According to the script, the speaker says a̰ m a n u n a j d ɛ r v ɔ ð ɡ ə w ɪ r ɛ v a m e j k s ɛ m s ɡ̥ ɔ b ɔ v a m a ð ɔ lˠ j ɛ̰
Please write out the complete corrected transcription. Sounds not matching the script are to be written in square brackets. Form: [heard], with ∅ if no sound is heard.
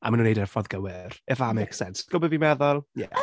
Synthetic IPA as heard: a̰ m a n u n [e] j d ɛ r [f] ɔ ð ɡ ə w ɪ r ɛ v a m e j k s ɛ [n] s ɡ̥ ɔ b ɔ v [i] m [ɛ] ð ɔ lˠ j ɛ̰

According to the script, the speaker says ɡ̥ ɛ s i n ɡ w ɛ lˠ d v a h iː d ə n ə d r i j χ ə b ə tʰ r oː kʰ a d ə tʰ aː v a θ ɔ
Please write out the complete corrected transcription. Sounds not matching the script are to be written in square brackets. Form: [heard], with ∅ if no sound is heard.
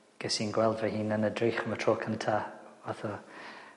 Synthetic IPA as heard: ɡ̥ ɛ s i n ɡ w ɛ lˠ d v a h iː [n] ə n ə d r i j χ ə [m] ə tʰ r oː kʰ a [n] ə tʰ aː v a θ ɔ

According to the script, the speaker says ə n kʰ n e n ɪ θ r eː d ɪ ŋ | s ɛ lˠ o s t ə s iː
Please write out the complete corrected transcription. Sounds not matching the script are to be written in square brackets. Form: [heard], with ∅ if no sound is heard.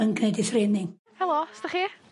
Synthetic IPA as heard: ə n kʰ n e [d] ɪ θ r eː [n] ɪ ŋ | [h] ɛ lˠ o s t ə [χ] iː

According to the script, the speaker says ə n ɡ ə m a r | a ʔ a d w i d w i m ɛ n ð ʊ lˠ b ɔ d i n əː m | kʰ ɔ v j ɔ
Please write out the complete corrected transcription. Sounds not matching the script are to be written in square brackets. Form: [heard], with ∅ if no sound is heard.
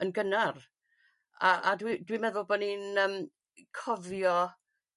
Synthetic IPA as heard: ə n ɡ ə [n] a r | a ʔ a d w i d w i m ɛ [∅] ð ʊ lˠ b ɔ [n] i n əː m | kʰ ɔ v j ɔ

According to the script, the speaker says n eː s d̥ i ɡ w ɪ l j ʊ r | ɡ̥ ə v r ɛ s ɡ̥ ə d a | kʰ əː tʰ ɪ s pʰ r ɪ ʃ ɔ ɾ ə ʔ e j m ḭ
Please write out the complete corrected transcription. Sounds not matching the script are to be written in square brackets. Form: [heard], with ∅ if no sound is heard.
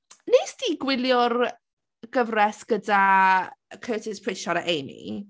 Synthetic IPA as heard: n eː s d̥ i ɡ w ɪ l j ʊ r | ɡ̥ ə v r ɛ s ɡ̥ ə d a | kʰ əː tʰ ɪ s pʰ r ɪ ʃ ɔ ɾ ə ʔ e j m ḭ

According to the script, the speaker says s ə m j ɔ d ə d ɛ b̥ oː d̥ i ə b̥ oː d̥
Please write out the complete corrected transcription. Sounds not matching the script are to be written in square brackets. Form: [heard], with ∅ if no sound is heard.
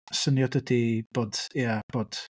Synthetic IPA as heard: s ə [n] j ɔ d ə d [i] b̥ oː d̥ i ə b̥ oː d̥

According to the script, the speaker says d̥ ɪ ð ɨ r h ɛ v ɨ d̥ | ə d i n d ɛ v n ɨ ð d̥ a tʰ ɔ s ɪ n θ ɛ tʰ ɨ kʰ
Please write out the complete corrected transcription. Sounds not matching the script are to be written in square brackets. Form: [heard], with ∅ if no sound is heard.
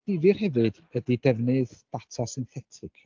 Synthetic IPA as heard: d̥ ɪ [v] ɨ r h ɛ v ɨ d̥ | ə d i [∅] d ɛ v n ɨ ð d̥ a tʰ ɔ s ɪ n θ ɛ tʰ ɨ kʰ

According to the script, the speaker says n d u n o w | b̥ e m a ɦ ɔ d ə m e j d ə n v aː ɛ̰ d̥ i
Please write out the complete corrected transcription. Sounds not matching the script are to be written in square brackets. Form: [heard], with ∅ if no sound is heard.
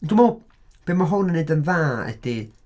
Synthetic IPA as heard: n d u [m] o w | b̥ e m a ɦ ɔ [n] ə [n] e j d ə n v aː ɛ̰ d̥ i

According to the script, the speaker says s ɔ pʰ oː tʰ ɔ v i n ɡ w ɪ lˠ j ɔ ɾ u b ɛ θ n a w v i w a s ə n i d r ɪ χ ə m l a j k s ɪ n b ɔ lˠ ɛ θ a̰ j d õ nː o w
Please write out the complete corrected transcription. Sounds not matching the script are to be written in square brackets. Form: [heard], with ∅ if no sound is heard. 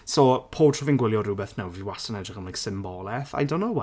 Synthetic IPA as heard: s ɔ pʰ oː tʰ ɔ v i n ɡ w ɪ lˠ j ɔ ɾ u b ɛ θ n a w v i w a s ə n [ɛ] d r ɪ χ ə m l a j k s ɪ [m] b ɔ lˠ ɛ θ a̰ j d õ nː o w

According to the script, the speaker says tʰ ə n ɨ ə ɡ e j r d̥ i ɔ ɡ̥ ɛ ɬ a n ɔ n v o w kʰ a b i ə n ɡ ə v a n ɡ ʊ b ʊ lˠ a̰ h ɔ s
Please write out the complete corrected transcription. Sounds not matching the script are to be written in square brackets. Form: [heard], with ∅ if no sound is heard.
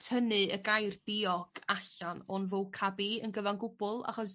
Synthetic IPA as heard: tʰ ə n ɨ ə ɡ [a] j r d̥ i ɔ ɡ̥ [a] ɬ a n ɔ n v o w kʰ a b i ə n ɡ ə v a n ɡ ʊ b ʊ lˠ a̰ [χ] ɔ s

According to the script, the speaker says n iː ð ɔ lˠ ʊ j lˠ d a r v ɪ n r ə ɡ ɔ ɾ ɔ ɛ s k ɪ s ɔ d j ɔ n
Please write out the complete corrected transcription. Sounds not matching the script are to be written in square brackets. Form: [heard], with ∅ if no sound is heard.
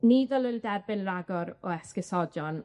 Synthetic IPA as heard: n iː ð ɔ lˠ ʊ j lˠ d [ɛ] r [b] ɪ n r [a] ɡ ɔ ɾ ɔ ɛ s k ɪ s ɔ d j ɔ n

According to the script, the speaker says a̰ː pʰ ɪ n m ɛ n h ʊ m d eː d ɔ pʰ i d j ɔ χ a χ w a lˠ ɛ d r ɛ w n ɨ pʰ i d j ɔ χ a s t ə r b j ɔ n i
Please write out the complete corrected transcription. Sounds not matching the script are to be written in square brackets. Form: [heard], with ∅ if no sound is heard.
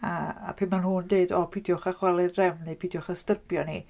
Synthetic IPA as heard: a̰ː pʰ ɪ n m [a] n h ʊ [n] d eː d ɔ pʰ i d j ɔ χ a χ w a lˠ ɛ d r ɛ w n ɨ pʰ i d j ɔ χ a s t ə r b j ɔ n i

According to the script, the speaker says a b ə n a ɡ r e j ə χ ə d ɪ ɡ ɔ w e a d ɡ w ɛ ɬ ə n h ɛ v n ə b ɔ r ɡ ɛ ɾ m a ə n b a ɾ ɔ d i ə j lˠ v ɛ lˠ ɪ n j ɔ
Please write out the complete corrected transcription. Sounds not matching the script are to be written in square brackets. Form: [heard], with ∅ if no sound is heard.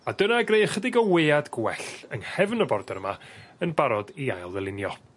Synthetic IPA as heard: a [d] ə n a ɡ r e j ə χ ə d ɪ ɡ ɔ w e a d ɡ w ɛ ɬ ə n h ɛ v n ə b ɔ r [d] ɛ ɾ m a ə n b a ɾ ɔ d i [a] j lˠ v ɛ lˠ ɪ n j ɔ

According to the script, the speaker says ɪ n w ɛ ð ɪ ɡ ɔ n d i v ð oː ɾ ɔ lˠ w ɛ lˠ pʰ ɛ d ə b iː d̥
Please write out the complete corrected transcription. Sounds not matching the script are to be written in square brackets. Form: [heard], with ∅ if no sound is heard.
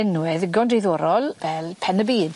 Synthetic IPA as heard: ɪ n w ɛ ð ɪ ɡ ɔ n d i [∅] ð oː ɾ ɔ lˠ [v] ɛ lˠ pʰ ɛ [n] ə b iː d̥

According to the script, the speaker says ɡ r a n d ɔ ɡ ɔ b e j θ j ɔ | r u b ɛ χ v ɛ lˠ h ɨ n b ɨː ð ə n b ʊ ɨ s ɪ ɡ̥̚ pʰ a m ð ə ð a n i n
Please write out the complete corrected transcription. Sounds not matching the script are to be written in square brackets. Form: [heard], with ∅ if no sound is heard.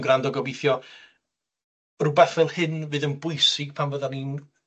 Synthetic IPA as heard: ɡ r a n d ɔ ɡ ɔ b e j θ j ɔ | r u b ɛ [θ] v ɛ lˠ h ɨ n [v] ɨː ð ə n b ʊ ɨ s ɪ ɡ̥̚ pʰ a m [v] ə ð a n i n

